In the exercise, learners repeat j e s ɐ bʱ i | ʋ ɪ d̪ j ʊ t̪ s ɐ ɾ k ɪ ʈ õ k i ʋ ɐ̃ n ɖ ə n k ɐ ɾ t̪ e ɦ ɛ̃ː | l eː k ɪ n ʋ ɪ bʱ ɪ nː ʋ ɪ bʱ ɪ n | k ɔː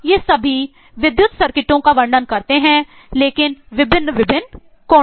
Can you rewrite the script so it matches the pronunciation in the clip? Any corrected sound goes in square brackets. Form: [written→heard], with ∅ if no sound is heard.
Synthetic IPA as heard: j e s ɐ bʱ i | ʋ ɪ d̪ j ʊ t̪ s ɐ ɾ k ɪ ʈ õ k [i→a] ʋ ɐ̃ [n→ɳ] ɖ ə n k ɐ ɾ t̪ e ɦ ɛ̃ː | l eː k ɪ n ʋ ɪ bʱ ɪ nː ʋ ɪ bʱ ɪ n | k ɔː

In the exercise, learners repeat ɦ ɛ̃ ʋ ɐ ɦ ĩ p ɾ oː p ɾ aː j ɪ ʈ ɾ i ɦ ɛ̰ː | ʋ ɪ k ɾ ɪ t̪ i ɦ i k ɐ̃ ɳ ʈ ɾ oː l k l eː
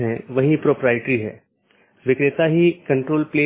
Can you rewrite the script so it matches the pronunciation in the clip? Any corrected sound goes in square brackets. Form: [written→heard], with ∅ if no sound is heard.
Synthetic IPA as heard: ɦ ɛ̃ ʋ ɐ ɦ ĩ p ɾ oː p ɾ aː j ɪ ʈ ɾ i ɦ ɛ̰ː | ʋ ɪ k ɾ ɪ t̪ [i→a] ɦ i k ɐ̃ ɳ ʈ ɾ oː l [k→p] l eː

